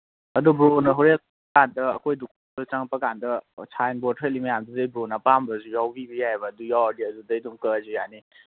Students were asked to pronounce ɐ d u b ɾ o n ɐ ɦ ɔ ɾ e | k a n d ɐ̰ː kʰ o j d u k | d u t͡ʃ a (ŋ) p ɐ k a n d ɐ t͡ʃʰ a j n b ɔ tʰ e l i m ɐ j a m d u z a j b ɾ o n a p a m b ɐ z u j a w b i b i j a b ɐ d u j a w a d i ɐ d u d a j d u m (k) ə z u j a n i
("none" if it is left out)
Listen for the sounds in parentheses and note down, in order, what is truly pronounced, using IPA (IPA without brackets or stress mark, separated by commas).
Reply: ŋ, k